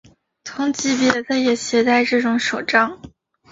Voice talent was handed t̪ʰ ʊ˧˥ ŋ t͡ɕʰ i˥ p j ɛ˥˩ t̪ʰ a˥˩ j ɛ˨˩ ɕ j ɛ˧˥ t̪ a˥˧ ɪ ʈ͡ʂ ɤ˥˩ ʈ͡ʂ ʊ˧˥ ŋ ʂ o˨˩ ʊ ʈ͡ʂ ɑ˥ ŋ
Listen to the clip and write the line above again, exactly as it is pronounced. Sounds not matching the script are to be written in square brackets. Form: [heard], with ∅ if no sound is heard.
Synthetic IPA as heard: t̪ʰ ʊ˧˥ ŋ [t͡ɕ] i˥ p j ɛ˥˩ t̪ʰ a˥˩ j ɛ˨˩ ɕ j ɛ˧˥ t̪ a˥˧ ɪ ʈ͡ʂ ɤ˥˩ ʈ͡ʂ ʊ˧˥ ŋ ʂ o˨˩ ʊ ʈ͡ʂ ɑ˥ ŋ